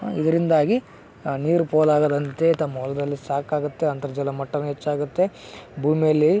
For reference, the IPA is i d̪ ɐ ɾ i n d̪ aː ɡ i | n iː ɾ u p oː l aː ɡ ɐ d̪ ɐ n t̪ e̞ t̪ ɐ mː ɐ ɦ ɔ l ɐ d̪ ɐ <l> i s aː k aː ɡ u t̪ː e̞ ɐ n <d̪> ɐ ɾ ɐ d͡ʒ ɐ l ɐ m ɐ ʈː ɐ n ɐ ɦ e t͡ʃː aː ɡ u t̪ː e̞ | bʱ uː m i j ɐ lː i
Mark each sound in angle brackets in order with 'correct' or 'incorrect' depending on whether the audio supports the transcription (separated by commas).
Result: incorrect, incorrect